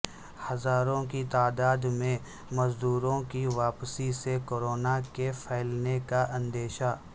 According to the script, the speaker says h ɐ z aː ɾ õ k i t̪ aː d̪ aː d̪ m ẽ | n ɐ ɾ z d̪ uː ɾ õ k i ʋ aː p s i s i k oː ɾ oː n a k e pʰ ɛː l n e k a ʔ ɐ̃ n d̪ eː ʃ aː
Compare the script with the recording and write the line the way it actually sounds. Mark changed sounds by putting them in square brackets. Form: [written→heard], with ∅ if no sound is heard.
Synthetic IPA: h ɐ z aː ɾ õ k i t̪ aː d̪ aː d̪ m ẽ | [n→m] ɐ [ɾ→∅] z d̪ uː ɾ õ k i ʋ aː p s i s [i→e] k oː ɾ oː n a k e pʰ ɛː l n e k a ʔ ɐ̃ n d̪ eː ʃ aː